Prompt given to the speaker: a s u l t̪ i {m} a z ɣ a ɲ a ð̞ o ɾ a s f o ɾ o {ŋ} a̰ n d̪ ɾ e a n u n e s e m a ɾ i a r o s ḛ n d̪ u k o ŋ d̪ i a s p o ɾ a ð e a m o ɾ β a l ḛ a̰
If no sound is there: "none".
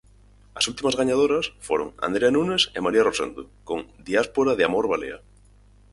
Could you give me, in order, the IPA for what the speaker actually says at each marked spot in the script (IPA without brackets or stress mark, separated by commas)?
m, ŋ